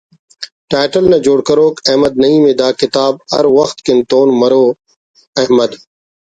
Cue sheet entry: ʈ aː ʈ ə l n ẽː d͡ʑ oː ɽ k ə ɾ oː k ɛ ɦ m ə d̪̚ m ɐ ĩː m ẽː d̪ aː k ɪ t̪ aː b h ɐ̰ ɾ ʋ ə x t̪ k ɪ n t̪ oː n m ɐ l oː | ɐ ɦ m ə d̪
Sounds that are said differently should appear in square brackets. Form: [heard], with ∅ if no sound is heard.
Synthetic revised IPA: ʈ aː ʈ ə l n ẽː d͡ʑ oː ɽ k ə ɾ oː k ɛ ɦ m ə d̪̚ [n] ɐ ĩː m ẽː d̪ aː k ɪ t̪ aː b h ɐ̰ ɾ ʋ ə x t̪ k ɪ n t̪ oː n m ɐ [ɾ] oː | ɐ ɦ m ə d̪